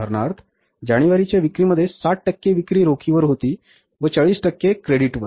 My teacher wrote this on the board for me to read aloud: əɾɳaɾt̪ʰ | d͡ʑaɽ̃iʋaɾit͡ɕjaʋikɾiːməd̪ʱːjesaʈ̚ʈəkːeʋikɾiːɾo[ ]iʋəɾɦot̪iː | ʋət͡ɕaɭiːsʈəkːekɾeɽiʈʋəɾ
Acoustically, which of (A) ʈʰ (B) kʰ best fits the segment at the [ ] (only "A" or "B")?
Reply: B